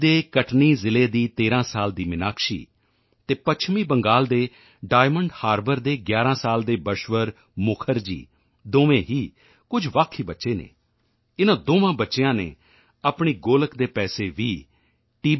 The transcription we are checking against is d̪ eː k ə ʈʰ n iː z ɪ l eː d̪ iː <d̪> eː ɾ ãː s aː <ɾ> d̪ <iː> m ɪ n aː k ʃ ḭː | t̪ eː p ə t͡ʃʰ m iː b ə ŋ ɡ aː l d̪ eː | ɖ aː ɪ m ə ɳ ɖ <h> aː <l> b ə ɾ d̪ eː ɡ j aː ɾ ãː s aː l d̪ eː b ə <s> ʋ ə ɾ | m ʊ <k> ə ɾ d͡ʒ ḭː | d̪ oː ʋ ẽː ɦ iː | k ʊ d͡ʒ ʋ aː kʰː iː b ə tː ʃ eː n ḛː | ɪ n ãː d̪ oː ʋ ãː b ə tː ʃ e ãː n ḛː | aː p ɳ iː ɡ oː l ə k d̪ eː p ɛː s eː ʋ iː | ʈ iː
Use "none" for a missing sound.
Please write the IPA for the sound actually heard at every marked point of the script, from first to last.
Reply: t̪, l, iː, h, ɾ, ʃ, kʰ

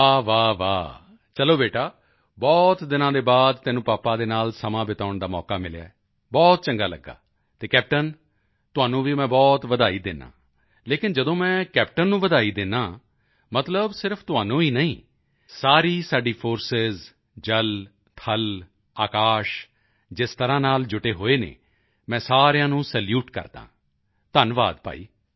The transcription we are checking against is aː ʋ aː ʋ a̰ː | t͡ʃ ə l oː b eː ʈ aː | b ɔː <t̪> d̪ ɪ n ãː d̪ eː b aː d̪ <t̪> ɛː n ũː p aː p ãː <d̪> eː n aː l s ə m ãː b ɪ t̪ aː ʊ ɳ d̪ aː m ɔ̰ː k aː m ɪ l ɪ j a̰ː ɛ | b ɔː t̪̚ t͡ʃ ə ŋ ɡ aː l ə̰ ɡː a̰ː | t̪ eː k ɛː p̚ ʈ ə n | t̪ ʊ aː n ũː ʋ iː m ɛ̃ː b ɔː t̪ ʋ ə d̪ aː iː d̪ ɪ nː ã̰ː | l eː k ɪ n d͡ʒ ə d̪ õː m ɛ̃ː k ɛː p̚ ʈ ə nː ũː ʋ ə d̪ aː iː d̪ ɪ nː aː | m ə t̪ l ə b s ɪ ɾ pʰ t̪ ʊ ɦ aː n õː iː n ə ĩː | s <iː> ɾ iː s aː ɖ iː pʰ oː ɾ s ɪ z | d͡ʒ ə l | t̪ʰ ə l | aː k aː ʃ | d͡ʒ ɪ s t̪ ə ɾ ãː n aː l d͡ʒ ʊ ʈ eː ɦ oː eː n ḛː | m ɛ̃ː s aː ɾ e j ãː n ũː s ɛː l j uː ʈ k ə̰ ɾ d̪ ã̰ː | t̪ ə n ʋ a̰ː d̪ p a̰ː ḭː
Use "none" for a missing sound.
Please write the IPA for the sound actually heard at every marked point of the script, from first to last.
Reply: t̪, t̪, d̪, aː

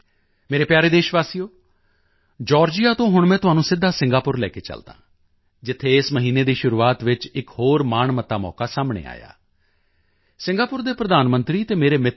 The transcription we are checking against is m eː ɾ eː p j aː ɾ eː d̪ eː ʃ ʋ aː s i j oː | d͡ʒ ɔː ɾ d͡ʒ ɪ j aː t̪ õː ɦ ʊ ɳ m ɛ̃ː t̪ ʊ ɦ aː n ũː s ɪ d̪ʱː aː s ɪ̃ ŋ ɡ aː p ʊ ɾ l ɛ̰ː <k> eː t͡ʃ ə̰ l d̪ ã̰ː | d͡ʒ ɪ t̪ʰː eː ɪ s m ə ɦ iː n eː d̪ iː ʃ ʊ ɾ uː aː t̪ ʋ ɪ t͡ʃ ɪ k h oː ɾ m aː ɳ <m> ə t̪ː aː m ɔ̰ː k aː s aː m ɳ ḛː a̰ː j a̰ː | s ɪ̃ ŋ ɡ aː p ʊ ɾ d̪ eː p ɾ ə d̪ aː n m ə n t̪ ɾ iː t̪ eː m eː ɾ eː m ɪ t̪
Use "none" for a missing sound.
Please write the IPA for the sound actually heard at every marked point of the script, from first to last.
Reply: k, m

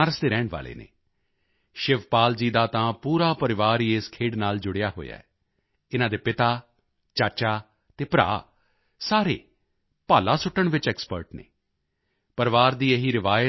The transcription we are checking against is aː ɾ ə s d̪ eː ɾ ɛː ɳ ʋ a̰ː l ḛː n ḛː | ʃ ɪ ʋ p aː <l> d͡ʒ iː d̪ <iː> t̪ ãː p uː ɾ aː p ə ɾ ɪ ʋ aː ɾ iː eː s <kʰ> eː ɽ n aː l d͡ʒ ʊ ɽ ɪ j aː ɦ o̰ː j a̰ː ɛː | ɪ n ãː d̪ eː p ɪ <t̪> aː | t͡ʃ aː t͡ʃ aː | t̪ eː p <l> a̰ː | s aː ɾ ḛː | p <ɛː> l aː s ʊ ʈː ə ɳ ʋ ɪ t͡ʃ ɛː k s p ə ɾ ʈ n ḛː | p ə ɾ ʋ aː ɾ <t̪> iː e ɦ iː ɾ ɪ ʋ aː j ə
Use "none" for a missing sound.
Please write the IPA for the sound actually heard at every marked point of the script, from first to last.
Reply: l, aː, kʰ, t̪, ɾ, aː, d̪

